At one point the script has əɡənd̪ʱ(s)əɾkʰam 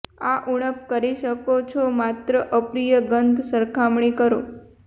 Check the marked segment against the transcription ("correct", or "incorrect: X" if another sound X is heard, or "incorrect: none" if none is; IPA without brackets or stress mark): correct